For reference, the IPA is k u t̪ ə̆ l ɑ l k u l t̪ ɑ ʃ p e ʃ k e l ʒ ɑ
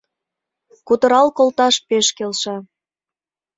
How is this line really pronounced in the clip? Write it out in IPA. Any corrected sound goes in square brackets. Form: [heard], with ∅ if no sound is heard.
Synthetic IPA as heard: k u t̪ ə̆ [ɾ] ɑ l k [o] l t̪ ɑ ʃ p e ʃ k e l [ʃ] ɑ

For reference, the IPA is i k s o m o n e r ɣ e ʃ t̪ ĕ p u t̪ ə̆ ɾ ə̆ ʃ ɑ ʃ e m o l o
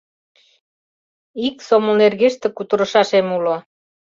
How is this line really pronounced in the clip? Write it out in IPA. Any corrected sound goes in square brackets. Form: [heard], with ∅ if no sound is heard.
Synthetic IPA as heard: i k s o m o n e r ɣ e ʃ t̪ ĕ [k] u t̪ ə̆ ɾ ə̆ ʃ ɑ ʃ e m [u] l o

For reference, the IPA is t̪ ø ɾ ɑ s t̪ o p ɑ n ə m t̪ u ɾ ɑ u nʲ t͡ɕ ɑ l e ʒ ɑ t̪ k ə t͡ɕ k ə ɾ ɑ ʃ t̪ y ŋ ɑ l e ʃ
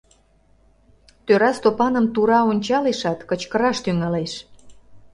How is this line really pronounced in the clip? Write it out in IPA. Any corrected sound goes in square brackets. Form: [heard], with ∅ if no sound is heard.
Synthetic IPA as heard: t̪ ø ɾ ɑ s t̪ o p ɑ n ə m t̪ u ɾ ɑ [o] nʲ t͡ɕ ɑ l e [ʃ] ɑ t̪ k ə t͡ɕ k ə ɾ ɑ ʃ t̪ y ŋ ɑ l e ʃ

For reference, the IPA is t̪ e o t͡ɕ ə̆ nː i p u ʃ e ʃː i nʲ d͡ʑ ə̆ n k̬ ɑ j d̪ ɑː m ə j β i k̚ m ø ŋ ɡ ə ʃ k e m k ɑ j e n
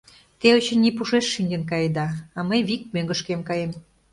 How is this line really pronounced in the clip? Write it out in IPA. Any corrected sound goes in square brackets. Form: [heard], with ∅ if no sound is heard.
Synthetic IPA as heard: t̪ e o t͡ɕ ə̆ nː i p u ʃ e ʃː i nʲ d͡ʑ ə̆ n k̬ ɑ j d̪ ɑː m ə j β i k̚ m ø ŋ ɡ ə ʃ k e m k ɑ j e [m]

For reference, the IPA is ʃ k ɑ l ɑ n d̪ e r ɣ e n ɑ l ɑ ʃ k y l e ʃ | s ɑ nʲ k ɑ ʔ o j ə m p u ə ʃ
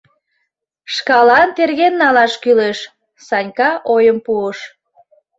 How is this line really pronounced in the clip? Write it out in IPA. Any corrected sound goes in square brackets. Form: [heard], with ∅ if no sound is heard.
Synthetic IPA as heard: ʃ k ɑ l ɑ n [t̪] e r ɣ e [nː] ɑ l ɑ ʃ k y l e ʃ | s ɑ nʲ k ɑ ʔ o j ə m p u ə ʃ

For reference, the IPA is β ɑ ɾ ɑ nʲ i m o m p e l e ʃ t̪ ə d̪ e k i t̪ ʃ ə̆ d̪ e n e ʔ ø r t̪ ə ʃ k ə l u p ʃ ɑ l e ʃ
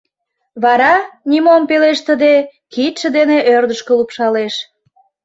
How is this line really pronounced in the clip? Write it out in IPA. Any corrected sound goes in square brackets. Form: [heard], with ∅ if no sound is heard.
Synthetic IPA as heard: β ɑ ɾ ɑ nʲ i m o m p e l e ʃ t̪ ə d̪ e k i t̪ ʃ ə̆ d̪ e n e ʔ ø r [d̪] ə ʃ k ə l u p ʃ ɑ l e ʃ

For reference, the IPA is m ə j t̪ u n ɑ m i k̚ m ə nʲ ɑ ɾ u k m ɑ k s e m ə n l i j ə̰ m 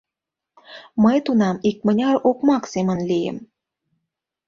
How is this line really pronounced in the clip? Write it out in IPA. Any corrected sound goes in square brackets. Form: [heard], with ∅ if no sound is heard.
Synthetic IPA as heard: m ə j t̪ u n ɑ m i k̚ m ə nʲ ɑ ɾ [o] k m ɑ k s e m ə n l i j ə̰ m

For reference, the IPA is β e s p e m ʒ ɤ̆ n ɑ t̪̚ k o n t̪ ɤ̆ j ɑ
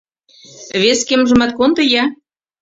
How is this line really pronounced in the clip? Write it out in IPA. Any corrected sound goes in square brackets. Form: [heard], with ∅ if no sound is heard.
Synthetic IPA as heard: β e s [k] e m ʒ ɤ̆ [m] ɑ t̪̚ k o n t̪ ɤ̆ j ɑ

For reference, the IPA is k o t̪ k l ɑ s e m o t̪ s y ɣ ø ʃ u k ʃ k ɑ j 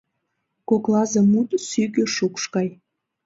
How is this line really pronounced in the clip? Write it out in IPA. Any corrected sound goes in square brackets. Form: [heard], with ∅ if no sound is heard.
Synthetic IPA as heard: k o [∅] k l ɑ [z] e m [u] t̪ s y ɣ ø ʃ u k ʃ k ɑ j

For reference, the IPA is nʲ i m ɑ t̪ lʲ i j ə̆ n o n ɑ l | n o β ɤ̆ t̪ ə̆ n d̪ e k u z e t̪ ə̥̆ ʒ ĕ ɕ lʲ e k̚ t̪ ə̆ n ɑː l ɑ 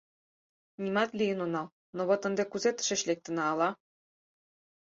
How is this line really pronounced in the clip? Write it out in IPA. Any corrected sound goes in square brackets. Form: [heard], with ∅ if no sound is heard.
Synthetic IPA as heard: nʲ i m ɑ t̪ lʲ i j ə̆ n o n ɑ l | n o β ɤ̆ t̪ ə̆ n d̪ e k u z e t̪ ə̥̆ [ʃ] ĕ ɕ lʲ e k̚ t̪ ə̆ n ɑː l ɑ

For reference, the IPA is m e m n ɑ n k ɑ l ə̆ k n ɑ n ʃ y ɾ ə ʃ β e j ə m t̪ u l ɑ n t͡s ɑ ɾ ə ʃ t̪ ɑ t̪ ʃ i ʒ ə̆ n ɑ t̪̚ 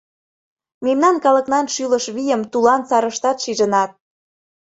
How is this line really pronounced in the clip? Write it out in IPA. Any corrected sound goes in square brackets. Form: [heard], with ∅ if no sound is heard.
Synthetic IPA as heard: m e m n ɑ n k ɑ l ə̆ k n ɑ n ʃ y [l] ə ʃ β [i] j ə m t̪ u l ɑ n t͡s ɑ ɾ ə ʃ t̪ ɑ t̪ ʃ i ʒ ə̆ n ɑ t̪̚

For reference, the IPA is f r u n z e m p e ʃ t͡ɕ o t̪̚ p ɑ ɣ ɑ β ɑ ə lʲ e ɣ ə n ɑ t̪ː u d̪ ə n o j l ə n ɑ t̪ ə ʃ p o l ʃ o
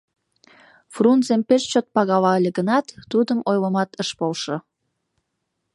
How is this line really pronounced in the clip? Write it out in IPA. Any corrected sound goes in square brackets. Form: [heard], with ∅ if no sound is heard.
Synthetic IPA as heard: f r u n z e m p e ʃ t͡ɕ o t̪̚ p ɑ ɣ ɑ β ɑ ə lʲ e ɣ ə n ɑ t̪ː u d̪ ə [m] o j l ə [m] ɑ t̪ ə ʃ p o l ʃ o

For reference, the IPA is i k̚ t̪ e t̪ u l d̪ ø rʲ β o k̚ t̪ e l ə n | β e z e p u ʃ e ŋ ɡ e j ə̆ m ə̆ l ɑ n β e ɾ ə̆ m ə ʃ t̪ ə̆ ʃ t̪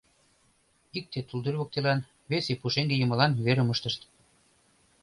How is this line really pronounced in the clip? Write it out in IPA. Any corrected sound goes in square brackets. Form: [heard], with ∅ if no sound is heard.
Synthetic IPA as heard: i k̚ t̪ e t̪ u l d̪ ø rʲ β o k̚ t̪ e l [ɑ] n | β e [s] e p u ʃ e ŋ ɡ e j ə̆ m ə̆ l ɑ n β e ɾ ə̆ m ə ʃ t̪ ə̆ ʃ t̪

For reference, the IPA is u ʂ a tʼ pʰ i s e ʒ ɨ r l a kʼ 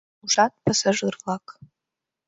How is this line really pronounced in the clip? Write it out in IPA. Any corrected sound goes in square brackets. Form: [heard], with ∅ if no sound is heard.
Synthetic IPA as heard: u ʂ a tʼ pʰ [a] s [a] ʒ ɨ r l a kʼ

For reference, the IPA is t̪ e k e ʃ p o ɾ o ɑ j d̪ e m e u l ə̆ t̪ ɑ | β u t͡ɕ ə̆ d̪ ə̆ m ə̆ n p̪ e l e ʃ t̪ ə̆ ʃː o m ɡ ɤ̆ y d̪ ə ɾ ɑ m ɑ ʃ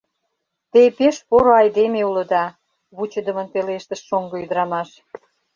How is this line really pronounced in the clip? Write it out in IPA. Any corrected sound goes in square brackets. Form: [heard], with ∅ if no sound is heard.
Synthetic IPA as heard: t̪ e [p] e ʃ p o ɾ o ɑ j d̪ e m e u l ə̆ [d̪] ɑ | β u t͡ɕ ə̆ d̪ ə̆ m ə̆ n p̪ e l e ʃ t̪ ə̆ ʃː o [ŋ] ɡ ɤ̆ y d̪ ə ɾ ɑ m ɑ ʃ

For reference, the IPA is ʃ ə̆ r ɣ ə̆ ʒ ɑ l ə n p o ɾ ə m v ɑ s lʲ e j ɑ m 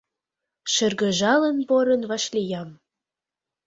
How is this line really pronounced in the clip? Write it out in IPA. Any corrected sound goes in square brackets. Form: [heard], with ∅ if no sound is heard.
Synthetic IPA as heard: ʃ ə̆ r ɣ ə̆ ʒ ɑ l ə n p o ɾ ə [n] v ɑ [ʃ] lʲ [i] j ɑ m

